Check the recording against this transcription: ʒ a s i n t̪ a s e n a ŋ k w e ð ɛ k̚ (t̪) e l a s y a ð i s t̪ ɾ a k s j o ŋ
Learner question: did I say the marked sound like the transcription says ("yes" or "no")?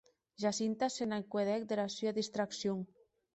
no